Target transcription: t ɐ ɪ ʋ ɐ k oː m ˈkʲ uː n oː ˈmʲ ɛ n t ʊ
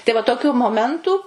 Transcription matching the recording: t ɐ ɪ ʋ ɐ t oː ˈkʲ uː m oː ˈmʲ ɛ n t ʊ